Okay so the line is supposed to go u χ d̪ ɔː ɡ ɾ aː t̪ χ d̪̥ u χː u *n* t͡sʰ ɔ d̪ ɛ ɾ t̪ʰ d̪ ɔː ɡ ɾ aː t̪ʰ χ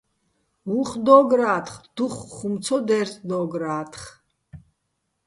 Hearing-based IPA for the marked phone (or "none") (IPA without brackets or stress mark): m